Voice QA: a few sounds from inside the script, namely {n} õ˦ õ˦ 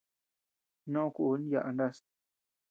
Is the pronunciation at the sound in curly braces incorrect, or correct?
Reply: correct